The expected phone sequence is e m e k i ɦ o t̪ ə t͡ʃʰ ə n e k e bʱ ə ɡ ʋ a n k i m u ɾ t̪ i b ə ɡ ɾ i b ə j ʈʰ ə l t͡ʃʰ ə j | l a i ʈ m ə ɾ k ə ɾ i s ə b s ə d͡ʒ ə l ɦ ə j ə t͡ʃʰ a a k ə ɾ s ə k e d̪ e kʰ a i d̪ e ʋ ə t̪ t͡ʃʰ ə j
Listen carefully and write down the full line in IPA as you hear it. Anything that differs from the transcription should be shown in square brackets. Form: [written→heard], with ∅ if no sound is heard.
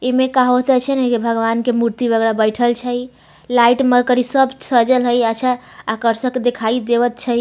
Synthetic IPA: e m e k [i→a] ɦ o t̪ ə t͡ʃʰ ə n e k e bʱ ə ɡ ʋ a n k [i→e] m u ɾ t̪ i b ə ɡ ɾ [i→a] b ə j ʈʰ ə l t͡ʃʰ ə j | l a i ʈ m ə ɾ k ə ɾ i s ə b s ə d͡ʒ ə l ɦ ə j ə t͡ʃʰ a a k ə ɾ s ə k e d̪ e kʰ a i d̪ e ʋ ə t̪ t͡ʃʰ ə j